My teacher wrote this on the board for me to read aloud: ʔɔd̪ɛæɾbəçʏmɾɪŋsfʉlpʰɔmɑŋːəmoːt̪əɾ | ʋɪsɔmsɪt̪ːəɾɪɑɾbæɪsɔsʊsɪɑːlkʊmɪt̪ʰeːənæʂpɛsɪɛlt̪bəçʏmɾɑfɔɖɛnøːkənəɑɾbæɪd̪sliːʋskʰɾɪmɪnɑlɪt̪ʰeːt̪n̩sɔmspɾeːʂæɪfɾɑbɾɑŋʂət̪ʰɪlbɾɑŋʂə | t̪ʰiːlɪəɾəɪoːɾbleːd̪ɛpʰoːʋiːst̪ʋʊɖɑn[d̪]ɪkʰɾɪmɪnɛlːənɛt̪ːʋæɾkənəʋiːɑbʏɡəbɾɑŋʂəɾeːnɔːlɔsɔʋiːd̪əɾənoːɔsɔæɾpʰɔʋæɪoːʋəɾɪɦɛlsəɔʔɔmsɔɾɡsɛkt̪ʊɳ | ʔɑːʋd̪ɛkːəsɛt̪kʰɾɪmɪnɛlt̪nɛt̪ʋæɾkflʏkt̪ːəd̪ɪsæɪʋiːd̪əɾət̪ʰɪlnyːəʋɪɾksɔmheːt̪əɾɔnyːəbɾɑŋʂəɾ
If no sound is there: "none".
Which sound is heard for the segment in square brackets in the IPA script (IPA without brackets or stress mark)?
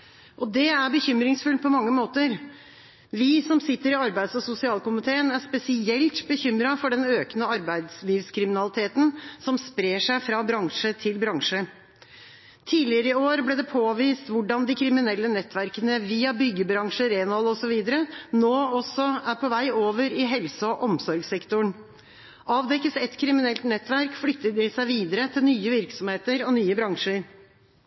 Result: d̪